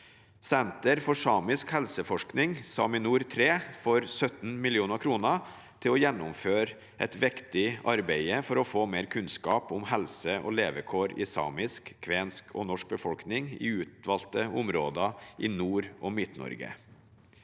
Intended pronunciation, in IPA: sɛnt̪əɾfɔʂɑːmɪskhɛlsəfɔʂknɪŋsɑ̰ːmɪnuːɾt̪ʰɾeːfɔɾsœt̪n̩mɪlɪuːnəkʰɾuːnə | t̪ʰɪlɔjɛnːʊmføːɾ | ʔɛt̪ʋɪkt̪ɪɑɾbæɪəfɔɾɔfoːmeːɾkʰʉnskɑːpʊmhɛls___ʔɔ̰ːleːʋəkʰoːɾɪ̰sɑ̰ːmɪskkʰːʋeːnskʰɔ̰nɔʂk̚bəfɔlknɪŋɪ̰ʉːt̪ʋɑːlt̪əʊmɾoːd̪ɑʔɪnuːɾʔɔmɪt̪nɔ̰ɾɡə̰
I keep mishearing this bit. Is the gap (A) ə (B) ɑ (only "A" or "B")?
A